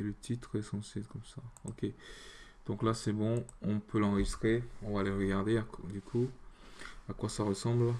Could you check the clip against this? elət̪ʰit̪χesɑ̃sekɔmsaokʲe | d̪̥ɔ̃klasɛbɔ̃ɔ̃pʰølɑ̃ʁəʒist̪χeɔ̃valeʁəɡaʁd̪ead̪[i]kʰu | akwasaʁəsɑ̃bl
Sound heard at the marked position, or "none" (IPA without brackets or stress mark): y